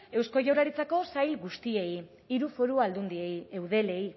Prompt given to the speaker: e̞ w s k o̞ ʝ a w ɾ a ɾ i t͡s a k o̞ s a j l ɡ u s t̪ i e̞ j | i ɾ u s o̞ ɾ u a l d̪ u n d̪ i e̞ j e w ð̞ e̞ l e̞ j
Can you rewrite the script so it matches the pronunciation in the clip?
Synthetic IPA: e̞ w s k o̞ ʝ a w ɾ a ɾ i t͡s a k o̞ s a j l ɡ u s t̪ i e̞ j | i ɾ u f o̞ ɾ u a l d̪ u n d̪ i e̞ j e w ð̞ e̞ l e̞ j